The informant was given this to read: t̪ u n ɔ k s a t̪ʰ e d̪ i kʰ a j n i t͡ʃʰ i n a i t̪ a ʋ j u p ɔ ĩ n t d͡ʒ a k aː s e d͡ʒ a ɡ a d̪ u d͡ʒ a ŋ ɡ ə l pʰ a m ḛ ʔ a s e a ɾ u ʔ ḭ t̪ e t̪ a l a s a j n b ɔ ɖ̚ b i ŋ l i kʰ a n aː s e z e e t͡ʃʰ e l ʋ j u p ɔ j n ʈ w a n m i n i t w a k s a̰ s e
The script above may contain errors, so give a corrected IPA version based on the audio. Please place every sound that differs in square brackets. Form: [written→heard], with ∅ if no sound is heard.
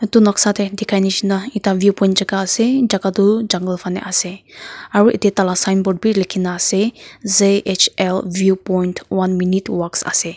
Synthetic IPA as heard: t̪ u n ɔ k s a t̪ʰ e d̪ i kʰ a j n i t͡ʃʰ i n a i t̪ a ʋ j u p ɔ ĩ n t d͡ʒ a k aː s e d͡ʒ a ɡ a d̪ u d͡ʒ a ŋ ɡ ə l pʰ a [m→n] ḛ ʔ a s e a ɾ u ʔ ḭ t̪ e t̪ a l a s a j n b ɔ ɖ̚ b i [ŋ→∅] l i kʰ [a→i] n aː s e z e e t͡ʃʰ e l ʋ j u p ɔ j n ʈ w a n m i n i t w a k s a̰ s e